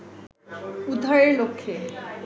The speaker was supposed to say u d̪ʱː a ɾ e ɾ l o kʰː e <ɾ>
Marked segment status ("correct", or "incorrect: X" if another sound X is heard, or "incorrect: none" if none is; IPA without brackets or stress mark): incorrect: none